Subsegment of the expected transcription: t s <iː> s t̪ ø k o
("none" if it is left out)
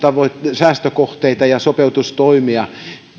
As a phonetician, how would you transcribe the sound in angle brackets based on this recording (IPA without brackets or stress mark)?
æː